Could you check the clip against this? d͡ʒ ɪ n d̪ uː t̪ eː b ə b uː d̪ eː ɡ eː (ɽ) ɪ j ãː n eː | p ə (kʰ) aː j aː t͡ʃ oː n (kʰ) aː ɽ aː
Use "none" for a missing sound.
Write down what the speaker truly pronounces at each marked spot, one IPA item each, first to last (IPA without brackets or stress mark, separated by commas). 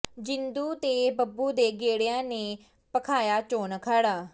ɽ, kʰ, kʰ